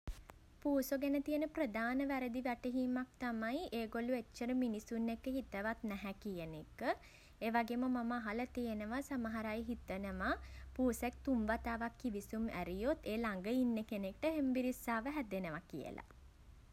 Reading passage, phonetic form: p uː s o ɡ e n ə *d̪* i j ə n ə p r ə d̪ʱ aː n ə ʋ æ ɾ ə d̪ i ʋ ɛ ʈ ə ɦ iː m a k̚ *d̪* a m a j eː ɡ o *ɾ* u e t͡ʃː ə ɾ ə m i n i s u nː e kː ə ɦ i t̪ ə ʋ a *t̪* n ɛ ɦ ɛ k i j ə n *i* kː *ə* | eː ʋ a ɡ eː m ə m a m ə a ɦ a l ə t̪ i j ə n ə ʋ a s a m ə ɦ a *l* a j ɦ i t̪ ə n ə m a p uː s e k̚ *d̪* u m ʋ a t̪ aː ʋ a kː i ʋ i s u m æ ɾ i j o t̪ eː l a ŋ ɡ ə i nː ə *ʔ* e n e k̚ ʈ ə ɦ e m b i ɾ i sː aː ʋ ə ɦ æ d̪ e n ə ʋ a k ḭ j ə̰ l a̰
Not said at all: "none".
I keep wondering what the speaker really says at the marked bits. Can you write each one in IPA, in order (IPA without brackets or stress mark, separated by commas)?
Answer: t̪, t̪, l, t̪, e, ə, ɾ, t̪, k